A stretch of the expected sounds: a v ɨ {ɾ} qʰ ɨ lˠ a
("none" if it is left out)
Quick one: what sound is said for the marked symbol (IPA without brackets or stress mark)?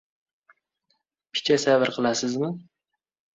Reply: ɾ